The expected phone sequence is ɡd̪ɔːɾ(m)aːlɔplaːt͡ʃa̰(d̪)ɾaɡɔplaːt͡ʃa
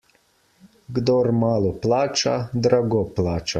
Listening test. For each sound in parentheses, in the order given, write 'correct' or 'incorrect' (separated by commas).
correct, correct